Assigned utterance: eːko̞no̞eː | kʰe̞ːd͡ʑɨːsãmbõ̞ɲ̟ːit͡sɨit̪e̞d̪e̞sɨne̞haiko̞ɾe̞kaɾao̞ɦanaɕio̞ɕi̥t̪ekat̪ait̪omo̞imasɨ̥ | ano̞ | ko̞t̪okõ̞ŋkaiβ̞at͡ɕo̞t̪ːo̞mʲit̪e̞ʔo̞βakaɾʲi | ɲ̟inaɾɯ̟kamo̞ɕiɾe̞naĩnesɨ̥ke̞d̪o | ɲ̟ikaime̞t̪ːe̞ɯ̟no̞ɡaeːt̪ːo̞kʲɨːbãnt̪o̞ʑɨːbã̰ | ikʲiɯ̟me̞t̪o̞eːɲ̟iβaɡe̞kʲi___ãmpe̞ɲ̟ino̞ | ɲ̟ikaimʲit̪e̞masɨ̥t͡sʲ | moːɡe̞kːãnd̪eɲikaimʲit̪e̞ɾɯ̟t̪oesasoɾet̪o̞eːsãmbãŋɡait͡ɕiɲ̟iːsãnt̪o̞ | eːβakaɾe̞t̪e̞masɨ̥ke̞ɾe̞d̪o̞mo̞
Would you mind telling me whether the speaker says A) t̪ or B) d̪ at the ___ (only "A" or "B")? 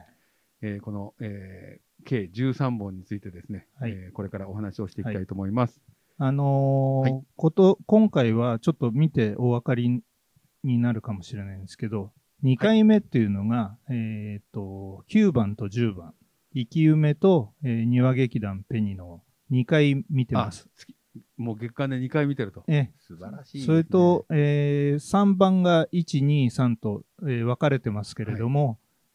B